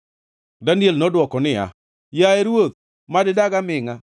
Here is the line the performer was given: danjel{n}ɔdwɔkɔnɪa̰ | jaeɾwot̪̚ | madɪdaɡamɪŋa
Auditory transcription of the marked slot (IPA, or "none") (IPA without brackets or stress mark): n